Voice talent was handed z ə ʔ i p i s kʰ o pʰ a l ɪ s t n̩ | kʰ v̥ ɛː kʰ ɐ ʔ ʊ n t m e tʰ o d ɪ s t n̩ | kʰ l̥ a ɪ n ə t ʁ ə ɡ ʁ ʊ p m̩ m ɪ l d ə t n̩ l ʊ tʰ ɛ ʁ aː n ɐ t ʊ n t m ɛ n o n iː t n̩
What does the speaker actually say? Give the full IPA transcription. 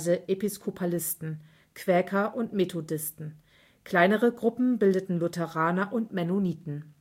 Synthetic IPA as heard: z ə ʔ e p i s kʰ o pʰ a l ɪ s t n̩ | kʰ v̥ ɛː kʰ ɐ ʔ ʊ n t m e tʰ o d ɪ s t n̩ | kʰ l̥ a ɪ n ə ʁ ə ɡ ʁ ʊ p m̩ b ɪ l d ə t n̩ l ʊ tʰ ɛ ʁ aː n ɐ ʔ ʊ n t m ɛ n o n iː t n̩